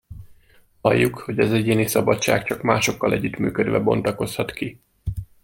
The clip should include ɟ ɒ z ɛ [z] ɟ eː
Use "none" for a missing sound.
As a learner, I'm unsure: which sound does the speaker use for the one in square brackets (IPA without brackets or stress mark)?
none